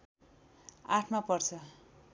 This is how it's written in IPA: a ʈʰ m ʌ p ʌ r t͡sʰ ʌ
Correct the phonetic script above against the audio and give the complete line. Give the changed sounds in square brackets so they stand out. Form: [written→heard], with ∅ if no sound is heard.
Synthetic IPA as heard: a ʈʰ m [ʌ→a] p ʌ r t͡sʰ ʌ